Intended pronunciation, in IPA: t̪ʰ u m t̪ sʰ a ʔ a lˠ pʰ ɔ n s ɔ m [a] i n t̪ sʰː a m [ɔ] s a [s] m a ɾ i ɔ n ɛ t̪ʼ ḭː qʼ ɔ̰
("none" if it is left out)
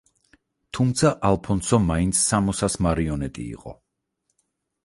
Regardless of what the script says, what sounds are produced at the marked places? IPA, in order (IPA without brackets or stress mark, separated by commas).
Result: a, ɔ, s